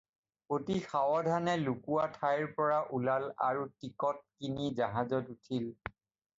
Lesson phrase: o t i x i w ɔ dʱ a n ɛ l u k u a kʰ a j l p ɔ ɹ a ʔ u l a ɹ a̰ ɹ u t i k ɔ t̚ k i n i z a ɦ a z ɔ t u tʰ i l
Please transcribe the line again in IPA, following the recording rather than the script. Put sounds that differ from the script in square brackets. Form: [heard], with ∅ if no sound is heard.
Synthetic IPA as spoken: o t i x [a] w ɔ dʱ a n ɛ l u k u a [tʰ] a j [ɹ] p ɔ ɹ a ʔ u l a [l] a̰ ɹ u t i k ɔ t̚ k i n i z a ɦ a z ɔ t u tʰ i l